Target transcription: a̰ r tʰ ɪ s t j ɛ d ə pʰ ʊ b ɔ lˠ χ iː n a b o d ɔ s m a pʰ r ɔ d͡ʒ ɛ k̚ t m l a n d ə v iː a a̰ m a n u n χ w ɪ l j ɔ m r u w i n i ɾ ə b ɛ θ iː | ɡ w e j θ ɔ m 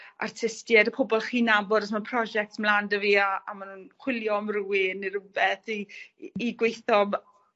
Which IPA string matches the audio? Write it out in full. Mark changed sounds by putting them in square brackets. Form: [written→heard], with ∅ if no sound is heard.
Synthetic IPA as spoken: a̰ r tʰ ɪ s t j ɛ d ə pʰ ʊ b ɔ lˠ χ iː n a b [o→ɔ] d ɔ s m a pʰ r ɔ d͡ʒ ɛ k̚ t m l a n d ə v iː a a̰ m a n u n χ w ɪ l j ɔ m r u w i n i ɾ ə b ɛ θ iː | ɡ w e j θ ɔ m